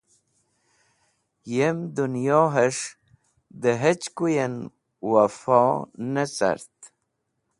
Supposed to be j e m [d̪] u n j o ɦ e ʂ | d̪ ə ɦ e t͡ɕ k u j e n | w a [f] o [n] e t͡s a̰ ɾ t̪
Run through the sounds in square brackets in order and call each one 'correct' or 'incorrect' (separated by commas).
correct, correct, correct